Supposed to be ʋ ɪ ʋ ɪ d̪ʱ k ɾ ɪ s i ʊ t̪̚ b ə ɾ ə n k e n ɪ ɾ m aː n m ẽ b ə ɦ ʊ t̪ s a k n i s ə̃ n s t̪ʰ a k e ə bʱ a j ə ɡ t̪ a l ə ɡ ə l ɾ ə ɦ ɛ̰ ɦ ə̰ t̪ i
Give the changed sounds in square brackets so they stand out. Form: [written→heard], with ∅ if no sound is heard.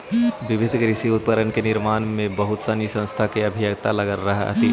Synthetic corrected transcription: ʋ ɪ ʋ ɪ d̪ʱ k ɾ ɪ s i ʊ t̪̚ [b→p] ə ɾ ə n k e n ɪ ɾ m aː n m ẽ b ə ɦ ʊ t̪ s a [k→∅] n i s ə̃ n s t̪ʰ a k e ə bʱ [a→i] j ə ɡ t̪ a l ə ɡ ə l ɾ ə ɦ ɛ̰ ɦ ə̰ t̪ i